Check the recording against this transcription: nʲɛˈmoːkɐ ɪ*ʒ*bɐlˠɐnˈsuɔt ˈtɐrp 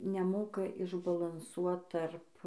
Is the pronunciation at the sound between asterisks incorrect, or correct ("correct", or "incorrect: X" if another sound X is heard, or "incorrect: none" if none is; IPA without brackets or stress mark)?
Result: correct